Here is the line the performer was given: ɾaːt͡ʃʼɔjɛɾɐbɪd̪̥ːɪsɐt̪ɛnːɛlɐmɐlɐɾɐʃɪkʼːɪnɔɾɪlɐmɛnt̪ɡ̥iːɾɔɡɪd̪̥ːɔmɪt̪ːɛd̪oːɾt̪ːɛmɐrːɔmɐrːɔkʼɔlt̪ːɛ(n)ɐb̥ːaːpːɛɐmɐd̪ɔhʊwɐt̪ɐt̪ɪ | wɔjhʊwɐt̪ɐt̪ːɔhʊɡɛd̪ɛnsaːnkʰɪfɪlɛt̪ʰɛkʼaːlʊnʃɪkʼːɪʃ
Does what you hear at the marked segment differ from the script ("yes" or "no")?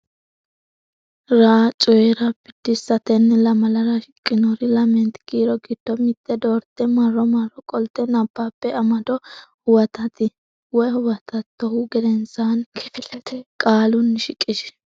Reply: no